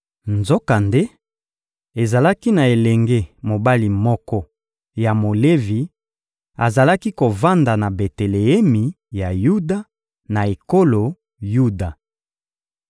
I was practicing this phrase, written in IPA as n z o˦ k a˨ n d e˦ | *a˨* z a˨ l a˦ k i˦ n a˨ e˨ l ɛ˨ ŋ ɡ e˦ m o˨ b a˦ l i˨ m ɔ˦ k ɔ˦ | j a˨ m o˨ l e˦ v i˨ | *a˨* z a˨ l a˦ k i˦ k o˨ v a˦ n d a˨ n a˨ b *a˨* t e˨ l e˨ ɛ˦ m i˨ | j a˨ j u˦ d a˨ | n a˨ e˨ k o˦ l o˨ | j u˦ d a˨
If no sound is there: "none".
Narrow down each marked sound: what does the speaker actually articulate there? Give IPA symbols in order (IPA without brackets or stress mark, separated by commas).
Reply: e˨, a˨, e˨